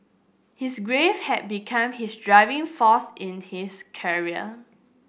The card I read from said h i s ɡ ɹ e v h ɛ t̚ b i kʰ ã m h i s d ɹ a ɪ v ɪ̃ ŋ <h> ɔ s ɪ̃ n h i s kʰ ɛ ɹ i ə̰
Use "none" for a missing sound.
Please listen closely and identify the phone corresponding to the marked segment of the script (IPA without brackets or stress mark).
f